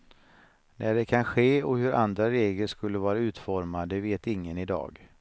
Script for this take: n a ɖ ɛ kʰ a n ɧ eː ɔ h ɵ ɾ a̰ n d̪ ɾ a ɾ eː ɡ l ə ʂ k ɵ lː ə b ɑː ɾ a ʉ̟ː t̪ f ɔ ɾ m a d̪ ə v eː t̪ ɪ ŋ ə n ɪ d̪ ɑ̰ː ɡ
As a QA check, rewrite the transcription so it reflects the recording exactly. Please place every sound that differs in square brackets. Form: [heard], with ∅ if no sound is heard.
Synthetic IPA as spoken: n [æ] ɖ ɛ kʰ a n ɧ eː ɔ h ɵ ɾ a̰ n d̪ ɾ a ɾ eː ɡ l ə ʂ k ɵ lː ə [v] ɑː ɾ a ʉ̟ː t̪ f ɔ ɾ m a d̪ ə v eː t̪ ɪ [ŋː] ə n ɪ d̪ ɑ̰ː ɡ

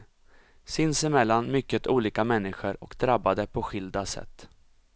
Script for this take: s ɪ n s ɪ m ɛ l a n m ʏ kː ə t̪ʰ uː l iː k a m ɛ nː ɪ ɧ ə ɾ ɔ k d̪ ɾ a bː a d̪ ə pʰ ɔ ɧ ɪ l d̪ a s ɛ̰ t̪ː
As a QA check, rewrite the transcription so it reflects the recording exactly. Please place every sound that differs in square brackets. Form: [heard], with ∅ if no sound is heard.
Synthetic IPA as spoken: s ɪ n s ɪ m ɛ [lː] a n m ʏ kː ə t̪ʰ uː l iː k a m ɛ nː ɪ ɧ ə ɾ ɔ k d̪ ɾ a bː a d̪ ə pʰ ɔ ɧ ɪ l d̪ a s ɛ̰ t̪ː

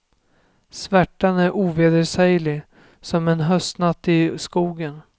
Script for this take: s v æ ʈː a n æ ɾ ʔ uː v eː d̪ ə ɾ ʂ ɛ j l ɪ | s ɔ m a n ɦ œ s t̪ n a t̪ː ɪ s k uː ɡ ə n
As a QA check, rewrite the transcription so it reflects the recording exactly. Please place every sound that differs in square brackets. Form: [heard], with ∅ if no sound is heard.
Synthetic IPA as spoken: s v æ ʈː a n æ ɾ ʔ uː v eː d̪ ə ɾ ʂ ɛ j l ɪ | s ɔ m [ɛ] n ɦ œ s t̪ n a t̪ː ɪ s k uː ɡ ə n

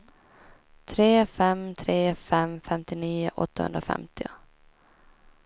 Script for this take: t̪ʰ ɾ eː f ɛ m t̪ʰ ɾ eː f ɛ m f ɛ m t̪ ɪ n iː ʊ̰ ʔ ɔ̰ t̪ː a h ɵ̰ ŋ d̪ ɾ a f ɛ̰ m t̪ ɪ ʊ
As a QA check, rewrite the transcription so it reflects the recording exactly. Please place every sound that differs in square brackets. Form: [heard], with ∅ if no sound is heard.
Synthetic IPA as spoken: t̪ʰ ɾ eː f ɛ m t̪ʰ ɾ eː f ɛ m f ɛ m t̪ ɪ n iː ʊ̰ ʔ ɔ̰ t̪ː a h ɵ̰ [n] d̪ ɾ a f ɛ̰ m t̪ ɪ ʊ

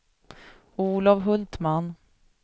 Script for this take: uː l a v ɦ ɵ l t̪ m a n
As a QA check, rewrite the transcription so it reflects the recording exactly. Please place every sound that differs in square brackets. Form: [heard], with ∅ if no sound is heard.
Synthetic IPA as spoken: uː l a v ɦ ɵ l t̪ m a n

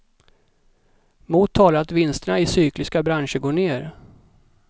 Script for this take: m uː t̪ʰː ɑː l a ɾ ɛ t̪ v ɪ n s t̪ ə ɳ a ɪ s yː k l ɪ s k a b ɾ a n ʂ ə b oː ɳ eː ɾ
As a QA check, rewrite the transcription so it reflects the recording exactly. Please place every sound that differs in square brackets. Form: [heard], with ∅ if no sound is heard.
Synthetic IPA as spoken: m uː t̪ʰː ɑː l a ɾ [a] t̪ v ɪ n s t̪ ə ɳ a ɪ s yː k l ɪ s k a b ɾ a n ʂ ə [ɡ] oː ɳ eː ɾ

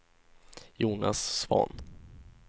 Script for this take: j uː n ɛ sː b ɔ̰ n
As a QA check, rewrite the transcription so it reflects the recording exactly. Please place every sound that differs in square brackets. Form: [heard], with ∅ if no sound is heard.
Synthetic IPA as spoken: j uː n [a] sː [v] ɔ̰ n

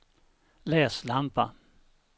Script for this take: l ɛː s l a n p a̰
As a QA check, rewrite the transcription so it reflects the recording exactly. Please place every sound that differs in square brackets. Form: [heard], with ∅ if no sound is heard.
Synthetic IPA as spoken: l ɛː s l a [m] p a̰

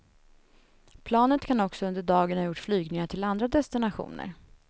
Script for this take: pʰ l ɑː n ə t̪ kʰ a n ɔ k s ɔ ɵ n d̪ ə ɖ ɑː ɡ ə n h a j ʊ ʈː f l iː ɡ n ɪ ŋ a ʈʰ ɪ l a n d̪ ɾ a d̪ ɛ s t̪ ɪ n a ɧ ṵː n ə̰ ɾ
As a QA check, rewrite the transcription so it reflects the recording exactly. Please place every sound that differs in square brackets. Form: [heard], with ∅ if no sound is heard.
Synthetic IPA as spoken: pʰ l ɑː n ə t̪ kʰ a n ɔ k s ɔ ɵ n d̪ ə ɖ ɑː ɡ ə n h a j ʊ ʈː f l [yː] ɡ n ɪ ŋ a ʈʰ ɪ l a n d̪ ɾ a d̪ ɛ s t̪ ɪ n a ɧ ṵː n ə̰ ɾ

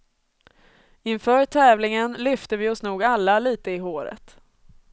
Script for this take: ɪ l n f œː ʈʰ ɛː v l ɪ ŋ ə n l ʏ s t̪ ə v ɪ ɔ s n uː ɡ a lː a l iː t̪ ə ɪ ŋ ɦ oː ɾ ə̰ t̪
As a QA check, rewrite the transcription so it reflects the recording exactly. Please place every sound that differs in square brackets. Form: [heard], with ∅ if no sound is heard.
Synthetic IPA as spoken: ɪ [∅] n f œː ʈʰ ɛː v l ɪ ŋ ə n l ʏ [f] t̪ ə v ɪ ɔ s n uː ɡ a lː a l iː t̪ ə ɪ [∅] ɦ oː ɾ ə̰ t̪

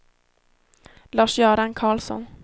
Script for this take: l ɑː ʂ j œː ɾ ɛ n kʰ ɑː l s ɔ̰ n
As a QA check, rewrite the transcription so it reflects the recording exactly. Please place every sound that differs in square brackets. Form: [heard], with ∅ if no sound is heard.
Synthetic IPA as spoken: l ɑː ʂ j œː ɾ [a] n kʰ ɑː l s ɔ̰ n

